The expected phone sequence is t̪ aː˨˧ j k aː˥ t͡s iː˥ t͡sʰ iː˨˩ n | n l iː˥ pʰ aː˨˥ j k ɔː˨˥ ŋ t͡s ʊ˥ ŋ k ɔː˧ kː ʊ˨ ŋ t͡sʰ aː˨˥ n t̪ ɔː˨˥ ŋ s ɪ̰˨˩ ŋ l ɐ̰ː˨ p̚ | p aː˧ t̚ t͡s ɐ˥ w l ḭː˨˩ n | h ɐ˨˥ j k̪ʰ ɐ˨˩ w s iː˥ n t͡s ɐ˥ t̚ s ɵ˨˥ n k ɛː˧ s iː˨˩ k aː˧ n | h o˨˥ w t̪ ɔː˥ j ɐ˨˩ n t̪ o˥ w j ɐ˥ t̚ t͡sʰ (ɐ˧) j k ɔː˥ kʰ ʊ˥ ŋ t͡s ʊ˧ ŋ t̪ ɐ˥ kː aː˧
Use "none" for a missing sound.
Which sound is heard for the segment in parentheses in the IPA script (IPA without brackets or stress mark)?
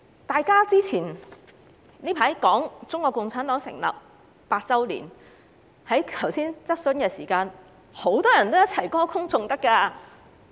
ɐ˨˩